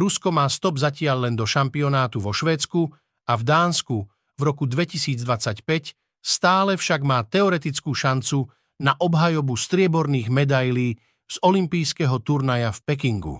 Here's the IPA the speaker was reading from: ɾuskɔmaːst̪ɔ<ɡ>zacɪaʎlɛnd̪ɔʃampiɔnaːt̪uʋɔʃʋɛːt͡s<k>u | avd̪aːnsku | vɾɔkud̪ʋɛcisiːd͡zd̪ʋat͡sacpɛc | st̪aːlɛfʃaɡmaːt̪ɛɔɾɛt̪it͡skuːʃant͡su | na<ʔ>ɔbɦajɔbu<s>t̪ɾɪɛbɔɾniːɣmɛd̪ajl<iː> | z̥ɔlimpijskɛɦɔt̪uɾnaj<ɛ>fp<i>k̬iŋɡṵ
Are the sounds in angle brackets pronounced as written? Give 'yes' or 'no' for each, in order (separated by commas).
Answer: no, yes, yes, yes, yes, no, no